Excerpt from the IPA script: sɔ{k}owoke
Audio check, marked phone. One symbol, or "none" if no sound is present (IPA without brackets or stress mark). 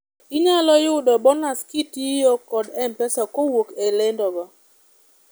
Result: k